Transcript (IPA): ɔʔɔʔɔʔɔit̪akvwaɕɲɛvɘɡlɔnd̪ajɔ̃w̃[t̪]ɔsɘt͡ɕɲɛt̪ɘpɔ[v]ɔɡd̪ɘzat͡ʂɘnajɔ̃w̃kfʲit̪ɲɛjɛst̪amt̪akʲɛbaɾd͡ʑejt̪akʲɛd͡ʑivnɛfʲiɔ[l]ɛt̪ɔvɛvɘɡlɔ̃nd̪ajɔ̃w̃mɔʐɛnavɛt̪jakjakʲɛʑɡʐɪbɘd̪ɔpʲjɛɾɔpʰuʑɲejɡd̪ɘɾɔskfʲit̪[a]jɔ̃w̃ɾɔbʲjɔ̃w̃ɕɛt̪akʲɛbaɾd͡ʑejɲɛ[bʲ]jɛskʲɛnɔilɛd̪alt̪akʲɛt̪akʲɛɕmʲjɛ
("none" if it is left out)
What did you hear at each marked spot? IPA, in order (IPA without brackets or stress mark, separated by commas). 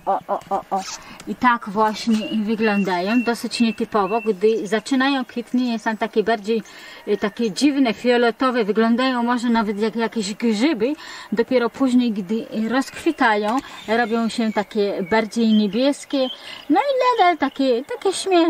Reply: d̪, v, l, a, bʲ